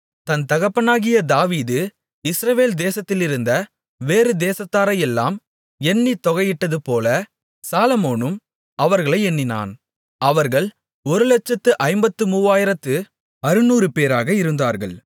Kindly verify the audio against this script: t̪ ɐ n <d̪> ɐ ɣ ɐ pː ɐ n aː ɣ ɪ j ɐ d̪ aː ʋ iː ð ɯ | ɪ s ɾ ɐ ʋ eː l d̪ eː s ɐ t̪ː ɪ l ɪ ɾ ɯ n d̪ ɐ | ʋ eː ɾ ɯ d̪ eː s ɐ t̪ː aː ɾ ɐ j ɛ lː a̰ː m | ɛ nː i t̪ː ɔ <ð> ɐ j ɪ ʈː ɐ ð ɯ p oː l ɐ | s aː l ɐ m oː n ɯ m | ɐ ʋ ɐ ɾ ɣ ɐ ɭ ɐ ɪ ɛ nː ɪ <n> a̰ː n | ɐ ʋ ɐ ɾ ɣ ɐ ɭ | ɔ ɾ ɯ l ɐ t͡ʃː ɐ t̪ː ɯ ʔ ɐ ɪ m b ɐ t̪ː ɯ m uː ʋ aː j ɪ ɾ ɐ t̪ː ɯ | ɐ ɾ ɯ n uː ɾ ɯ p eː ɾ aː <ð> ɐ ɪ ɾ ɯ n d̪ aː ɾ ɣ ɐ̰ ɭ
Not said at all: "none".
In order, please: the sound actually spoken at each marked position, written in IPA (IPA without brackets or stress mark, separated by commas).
t̪, ɣ, n, ɣ